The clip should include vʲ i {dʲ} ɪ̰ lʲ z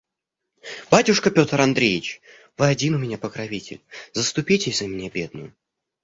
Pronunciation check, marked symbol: incorrect: tʲ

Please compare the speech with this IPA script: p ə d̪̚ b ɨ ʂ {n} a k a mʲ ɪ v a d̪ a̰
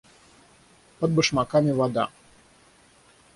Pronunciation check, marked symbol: incorrect: m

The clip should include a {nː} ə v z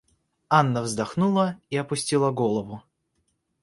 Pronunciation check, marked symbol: correct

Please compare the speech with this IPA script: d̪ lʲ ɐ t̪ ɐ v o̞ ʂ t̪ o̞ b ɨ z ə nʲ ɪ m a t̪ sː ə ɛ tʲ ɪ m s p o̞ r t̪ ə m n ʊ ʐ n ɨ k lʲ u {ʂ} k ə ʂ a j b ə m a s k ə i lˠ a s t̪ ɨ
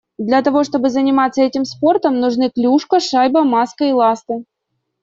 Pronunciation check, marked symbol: correct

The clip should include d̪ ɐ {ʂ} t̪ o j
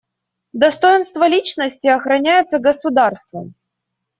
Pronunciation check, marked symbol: incorrect: s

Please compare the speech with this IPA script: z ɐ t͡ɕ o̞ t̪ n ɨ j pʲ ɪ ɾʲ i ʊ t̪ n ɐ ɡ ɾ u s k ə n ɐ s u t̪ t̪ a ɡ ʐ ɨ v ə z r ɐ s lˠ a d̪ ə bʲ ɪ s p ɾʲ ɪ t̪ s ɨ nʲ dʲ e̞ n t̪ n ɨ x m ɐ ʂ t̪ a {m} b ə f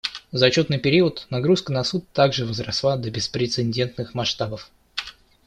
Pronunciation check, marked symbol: incorrect: none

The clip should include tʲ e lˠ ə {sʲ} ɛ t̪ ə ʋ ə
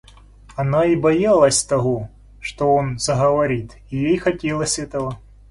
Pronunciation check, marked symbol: correct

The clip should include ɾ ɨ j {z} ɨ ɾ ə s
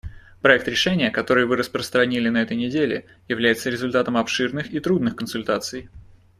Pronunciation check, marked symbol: incorrect: v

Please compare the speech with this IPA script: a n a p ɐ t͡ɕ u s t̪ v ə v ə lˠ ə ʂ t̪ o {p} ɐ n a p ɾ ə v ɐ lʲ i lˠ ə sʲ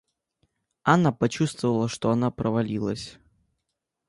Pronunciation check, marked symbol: incorrect: none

